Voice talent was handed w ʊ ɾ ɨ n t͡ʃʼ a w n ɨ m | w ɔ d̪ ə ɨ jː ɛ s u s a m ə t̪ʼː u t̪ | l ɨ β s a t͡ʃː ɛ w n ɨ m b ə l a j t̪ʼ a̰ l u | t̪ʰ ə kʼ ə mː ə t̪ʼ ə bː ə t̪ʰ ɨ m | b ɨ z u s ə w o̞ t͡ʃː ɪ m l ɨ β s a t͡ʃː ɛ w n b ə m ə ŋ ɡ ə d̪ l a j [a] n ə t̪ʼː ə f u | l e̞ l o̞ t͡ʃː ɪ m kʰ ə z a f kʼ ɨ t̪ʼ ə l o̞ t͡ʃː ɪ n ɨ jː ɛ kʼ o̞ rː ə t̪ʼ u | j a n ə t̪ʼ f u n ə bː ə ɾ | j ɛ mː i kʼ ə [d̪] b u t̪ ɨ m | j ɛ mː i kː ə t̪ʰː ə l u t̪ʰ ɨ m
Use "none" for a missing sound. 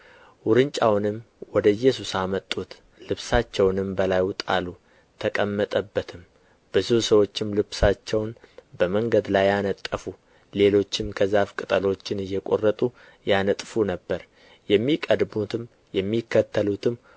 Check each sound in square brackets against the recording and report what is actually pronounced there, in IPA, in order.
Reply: a, d̪

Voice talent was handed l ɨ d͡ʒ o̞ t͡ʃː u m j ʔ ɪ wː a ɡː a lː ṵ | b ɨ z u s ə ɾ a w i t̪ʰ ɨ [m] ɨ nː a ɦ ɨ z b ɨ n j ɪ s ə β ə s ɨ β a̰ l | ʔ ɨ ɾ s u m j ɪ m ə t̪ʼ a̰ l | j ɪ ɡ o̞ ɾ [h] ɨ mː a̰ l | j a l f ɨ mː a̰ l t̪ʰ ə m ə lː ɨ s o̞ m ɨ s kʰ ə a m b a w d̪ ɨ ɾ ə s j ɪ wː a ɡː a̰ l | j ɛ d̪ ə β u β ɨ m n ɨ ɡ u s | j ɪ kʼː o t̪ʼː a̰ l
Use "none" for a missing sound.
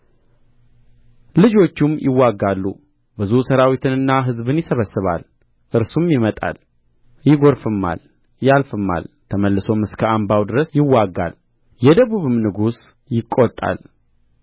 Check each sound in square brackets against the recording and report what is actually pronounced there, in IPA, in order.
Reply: n, f

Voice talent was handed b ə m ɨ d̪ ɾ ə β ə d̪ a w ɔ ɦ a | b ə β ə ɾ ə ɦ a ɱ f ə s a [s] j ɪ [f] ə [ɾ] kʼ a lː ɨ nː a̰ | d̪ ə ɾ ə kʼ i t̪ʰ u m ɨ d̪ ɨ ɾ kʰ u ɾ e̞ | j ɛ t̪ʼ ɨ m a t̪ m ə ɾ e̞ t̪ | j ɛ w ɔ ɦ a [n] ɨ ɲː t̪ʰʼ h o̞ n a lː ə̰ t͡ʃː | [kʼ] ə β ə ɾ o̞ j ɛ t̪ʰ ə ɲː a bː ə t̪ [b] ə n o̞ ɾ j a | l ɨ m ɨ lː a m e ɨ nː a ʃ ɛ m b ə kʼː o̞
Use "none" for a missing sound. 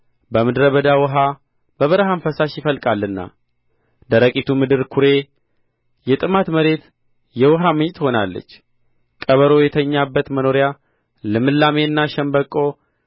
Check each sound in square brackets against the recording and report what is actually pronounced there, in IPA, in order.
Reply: ʃ, f, l, m, kʼ, m

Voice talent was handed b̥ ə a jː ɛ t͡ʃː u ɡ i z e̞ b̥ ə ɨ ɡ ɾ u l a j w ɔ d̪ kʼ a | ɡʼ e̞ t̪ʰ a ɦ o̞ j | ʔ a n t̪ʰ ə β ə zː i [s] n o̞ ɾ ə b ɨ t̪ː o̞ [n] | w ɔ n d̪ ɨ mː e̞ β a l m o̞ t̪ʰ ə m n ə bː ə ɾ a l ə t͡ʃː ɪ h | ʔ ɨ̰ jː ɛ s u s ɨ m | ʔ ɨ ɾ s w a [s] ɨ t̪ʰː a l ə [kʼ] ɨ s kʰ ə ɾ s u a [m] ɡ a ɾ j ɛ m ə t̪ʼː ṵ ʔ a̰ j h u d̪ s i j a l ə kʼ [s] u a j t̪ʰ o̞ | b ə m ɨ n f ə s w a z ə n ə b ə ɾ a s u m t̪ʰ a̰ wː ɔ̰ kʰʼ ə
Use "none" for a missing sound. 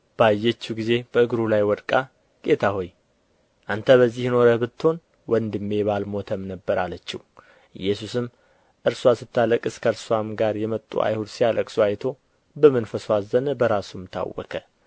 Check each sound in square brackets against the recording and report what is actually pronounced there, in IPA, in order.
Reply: h, n, s, kʼ, m, s

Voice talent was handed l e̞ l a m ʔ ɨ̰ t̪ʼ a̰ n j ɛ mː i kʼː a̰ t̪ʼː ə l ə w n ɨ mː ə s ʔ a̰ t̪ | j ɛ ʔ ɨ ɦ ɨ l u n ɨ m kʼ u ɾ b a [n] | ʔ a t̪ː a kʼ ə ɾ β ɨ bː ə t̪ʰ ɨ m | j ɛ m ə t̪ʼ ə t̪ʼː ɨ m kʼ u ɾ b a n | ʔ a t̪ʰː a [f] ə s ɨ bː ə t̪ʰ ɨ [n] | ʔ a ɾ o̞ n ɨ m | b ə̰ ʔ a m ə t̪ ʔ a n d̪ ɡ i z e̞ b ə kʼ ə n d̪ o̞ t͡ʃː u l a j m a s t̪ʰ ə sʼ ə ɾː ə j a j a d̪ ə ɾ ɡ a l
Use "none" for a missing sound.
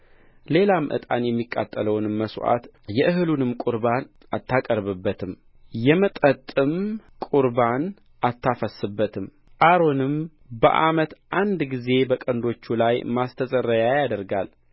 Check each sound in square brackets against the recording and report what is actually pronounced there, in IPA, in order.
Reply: n, f, m

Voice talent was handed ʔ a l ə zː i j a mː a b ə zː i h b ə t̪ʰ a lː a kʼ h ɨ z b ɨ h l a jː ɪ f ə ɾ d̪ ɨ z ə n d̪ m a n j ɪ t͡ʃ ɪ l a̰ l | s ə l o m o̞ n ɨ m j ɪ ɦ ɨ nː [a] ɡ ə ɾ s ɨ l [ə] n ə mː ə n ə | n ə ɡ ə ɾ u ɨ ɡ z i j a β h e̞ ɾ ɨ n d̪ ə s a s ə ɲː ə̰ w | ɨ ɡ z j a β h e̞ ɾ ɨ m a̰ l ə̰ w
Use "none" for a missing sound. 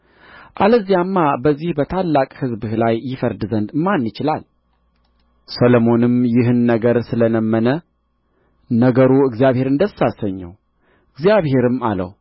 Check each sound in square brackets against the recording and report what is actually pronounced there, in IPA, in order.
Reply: ə, ə

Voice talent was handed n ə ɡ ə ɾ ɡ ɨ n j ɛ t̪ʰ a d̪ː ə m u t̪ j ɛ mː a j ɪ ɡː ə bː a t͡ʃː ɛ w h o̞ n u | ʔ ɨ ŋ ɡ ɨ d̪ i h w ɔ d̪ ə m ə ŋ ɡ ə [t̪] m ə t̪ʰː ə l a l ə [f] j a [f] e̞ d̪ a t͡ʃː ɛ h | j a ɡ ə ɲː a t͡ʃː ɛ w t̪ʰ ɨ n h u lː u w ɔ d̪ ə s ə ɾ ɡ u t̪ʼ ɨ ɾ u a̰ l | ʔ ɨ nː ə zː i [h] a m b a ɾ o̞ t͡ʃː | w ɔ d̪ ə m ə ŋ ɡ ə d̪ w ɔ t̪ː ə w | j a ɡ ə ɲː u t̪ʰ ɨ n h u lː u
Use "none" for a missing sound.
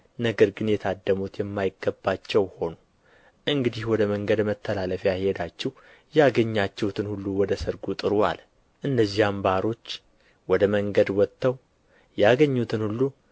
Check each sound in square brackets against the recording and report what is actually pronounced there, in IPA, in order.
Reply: d̪, f, h, h

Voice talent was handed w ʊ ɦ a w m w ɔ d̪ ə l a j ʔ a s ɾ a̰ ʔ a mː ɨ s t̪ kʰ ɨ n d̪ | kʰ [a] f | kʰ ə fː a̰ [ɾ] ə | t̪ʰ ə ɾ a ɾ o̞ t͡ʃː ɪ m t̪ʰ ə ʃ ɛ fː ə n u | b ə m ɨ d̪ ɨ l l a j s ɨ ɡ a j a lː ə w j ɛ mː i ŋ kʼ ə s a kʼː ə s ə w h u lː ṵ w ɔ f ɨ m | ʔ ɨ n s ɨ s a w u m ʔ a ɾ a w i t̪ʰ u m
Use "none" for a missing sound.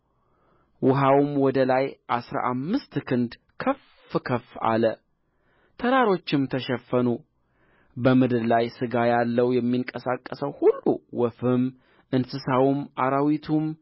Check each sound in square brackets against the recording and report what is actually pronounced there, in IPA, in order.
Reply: ə, l

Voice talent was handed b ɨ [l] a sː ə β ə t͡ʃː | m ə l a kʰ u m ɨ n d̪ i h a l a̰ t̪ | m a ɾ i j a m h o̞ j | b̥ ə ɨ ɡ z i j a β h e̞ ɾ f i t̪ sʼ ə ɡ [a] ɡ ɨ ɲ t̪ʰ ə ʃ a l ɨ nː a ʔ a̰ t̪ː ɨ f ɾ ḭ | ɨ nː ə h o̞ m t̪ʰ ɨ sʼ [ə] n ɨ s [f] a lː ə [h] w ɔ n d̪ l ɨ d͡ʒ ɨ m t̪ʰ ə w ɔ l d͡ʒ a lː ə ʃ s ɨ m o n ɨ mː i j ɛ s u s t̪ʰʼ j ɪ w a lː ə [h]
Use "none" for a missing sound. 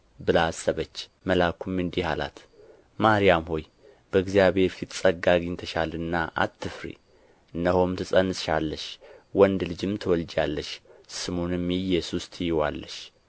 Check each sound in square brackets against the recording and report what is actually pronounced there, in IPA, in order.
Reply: l, a, ə, ʃ, ʃ, ʃ

